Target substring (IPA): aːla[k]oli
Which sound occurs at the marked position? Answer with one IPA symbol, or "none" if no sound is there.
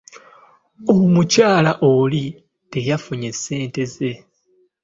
ʔ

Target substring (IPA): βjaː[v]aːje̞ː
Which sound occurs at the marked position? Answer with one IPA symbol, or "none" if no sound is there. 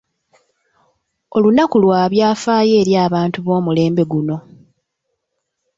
f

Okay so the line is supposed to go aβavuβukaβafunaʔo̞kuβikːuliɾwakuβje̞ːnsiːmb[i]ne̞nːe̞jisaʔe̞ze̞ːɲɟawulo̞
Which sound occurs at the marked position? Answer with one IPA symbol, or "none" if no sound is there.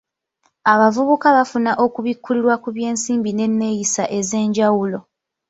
i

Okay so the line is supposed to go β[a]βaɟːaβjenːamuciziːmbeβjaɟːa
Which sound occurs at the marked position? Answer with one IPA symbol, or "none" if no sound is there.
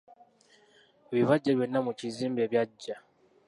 i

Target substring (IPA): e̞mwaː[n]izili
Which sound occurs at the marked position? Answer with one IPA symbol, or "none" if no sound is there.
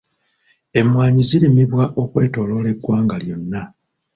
ɲ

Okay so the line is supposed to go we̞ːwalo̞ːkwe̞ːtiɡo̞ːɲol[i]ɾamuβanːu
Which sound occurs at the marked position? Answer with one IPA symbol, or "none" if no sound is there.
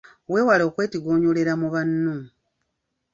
e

